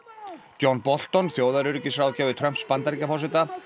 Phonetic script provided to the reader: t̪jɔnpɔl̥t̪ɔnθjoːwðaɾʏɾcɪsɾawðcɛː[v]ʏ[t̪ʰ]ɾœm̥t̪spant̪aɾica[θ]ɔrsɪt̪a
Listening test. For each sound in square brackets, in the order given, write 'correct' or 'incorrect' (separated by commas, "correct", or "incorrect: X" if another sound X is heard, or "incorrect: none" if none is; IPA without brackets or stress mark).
correct, correct, incorrect: f